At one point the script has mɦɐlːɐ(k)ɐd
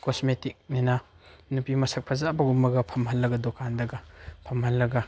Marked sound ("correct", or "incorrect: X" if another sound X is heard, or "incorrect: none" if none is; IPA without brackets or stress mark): incorrect: ɡ